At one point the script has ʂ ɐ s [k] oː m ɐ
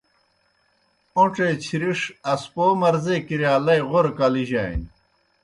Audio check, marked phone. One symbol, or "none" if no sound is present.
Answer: p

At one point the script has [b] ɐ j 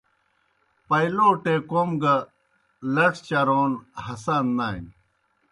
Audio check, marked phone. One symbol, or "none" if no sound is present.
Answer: p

